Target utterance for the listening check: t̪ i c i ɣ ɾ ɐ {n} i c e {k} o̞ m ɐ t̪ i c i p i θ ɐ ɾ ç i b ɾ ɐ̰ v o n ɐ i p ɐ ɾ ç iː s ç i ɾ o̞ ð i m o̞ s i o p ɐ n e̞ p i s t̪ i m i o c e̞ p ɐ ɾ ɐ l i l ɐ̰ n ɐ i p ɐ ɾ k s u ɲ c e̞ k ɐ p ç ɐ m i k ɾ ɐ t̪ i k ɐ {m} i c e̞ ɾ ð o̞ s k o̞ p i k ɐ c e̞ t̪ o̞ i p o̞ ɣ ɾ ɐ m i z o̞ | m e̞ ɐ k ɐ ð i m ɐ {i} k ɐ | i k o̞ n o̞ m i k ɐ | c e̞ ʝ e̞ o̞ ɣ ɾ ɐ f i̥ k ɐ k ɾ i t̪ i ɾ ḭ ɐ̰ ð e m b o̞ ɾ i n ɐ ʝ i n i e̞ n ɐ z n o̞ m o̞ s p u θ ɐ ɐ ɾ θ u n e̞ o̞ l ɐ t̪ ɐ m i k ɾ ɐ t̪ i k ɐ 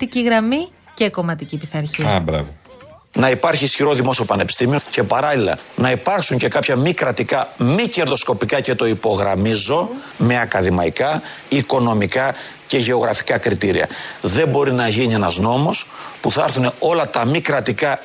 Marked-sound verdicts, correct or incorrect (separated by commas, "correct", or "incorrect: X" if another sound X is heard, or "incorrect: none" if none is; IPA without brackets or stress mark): incorrect: m, correct, correct, correct